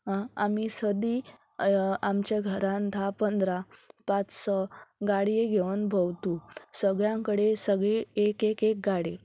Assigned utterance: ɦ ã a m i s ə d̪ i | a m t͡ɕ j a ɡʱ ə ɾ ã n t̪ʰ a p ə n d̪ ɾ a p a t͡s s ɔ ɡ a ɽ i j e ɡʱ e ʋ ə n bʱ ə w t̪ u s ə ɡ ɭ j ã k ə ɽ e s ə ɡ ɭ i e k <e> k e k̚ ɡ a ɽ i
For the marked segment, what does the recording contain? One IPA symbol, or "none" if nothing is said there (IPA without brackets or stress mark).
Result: e